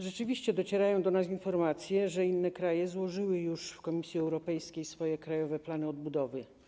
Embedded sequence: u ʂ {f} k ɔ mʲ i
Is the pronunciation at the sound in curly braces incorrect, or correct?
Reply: correct